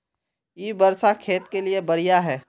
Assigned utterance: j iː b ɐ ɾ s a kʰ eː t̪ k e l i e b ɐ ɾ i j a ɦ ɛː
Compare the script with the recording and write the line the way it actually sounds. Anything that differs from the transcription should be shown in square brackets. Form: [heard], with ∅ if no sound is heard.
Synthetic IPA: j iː b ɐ ɾ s a kʰ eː t̪ k e l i e b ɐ ɾ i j a ɦ ɛː